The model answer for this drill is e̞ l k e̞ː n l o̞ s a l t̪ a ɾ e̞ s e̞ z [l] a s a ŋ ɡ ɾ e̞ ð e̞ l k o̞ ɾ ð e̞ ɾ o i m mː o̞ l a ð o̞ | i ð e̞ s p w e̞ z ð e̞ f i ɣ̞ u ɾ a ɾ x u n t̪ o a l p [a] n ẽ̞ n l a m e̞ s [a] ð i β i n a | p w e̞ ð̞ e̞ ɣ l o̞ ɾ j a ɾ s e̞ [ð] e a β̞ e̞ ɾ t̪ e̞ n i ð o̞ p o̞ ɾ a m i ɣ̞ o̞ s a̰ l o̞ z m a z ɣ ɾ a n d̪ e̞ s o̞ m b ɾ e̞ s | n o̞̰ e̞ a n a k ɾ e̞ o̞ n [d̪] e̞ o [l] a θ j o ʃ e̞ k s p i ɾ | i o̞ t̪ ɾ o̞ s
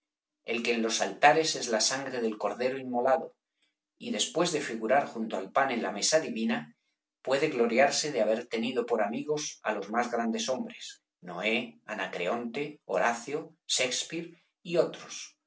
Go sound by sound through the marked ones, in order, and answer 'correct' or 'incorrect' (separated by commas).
correct, correct, correct, correct, incorrect, incorrect